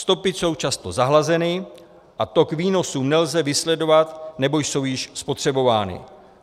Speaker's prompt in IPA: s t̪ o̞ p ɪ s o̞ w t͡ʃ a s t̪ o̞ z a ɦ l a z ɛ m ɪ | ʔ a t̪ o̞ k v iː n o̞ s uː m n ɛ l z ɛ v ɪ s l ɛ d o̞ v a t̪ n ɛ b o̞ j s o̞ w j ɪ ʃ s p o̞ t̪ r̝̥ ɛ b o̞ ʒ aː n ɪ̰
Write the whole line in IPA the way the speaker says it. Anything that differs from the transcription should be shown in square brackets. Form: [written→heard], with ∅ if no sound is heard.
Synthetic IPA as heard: s t̪ o̞ p ɪ s o̞ w t͡ʃ a s t̪ o̞ z a ɦ l a z ɛ [m→n] ɪ | ʔ a t̪ o̞ k v iː n o̞ s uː m n ɛ l z ɛ v ɪ s l ɛ d o̞ v a t̪ n ɛ b o̞ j s o̞ w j ɪ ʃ s p o̞ t̪ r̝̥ ɛ b o̞ [ʒ→v] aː n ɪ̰